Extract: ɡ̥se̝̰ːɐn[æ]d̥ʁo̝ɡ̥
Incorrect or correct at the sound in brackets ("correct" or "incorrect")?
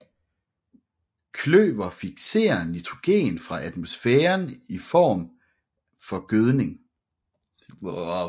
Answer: incorrect